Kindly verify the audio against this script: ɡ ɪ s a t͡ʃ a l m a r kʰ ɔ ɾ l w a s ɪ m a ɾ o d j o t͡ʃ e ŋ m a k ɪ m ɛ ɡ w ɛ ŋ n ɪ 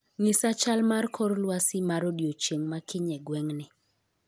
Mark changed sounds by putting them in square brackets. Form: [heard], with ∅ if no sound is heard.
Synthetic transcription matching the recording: [ŋ] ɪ s a t͡ʃ a l m a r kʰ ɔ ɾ l w a s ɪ m a ɾ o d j o t͡ʃ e ŋ m a k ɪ [ɲ] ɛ ɡ w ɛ ŋ n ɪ